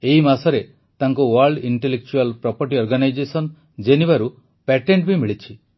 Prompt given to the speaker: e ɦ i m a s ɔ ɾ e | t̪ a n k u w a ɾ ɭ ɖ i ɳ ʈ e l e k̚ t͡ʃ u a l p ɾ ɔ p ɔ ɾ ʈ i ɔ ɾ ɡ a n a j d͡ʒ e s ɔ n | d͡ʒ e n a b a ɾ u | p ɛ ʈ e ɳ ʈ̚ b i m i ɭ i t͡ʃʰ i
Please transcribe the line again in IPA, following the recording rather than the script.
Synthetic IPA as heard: e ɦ i m a s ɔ ɾ e | t̪ a ŋ k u w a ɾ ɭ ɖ i ɳ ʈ e l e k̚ t͡ʃ u a l p ɾ ɔ p ɔ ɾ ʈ i ɔ ɾ ɡ a n a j d͡ʒ e s ɔ n | d͡ʒ e n i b a ɾ u | p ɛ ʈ e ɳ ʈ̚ b i m i ɭ i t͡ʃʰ i